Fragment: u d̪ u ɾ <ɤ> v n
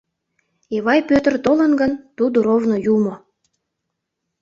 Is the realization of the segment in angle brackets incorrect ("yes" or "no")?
yes